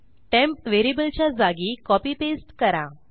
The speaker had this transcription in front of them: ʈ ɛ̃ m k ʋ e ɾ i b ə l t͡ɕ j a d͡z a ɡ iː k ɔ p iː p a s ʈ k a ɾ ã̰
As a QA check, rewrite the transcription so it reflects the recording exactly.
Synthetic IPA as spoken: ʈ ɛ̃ m p ʋ e ɾ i b ə l t͡ɕ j a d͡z a ɡ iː k ɔ p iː p e s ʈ k ə ɾ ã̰